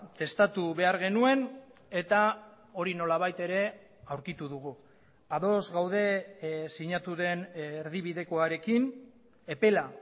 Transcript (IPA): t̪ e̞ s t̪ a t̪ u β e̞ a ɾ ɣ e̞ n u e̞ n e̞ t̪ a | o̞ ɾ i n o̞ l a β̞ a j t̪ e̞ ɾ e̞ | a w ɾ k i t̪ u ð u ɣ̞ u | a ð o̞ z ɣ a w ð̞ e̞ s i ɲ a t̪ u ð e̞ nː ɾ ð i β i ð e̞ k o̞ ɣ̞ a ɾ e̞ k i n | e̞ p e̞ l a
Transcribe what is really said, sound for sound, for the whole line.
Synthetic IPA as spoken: t̪ e̞ s t̪ a t̪ u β e̞ a ɾ ɣ e̞ n u e̞ n e̞ t̪ a | o̞ ɾ i n o̞ l a β̞ a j t̪ e̞ ɾ e̞ | a w ɾ k i t̪ u ð u ɣ̞ u | a ð o̞ z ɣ a w ð̞ e̞ s i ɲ a t̪ u ð e̞ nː ɾ ð i β i ð e̞ k o̞ a ɾ e̞ k i n | e̞ p e̞ l a